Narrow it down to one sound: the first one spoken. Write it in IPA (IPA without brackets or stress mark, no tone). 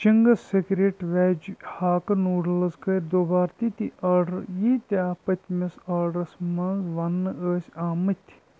t͡ʃ